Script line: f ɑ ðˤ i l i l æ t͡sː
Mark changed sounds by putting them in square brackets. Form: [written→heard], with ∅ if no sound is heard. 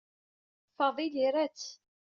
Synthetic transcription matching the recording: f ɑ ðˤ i l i [l→ɾ] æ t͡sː